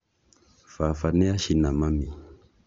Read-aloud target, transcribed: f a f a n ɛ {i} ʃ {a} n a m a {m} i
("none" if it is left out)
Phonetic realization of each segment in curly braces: a, i, m

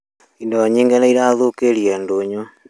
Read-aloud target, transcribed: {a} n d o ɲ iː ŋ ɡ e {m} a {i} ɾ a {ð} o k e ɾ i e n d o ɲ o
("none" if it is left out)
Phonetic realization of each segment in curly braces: i, n, i, ð

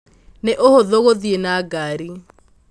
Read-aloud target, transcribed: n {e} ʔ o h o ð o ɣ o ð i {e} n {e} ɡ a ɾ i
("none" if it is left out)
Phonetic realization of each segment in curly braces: e, e, a

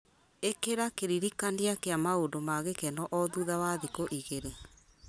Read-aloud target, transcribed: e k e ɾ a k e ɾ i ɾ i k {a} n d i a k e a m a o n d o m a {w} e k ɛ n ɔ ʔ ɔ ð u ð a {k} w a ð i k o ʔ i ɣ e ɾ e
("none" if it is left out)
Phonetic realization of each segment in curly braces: a, ɣ, none

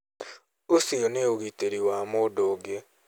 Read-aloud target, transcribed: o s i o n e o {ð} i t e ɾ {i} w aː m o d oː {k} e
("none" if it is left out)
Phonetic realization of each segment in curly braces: ɣ, i, ɡ

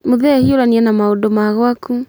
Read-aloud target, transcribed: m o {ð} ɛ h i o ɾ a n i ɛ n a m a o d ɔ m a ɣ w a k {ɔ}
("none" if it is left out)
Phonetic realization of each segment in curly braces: ð, u

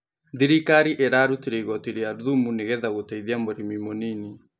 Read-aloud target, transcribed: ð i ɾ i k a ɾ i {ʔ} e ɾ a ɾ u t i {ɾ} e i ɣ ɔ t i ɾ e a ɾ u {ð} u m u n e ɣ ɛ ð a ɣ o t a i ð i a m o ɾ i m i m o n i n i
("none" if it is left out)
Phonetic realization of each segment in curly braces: ʔ, ɾ, ð

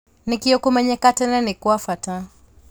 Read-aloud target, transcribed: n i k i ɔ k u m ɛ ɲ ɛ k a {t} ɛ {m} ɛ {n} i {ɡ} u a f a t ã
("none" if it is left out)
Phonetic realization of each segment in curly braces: t, n, n, k

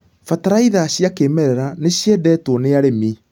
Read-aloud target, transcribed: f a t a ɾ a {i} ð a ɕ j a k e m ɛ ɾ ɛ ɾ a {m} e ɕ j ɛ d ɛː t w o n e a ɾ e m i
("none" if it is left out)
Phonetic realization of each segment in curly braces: i, n

